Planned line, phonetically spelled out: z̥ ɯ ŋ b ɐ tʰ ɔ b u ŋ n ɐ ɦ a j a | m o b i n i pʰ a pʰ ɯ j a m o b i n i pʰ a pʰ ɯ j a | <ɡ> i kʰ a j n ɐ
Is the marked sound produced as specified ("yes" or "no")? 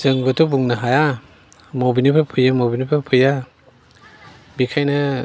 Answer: no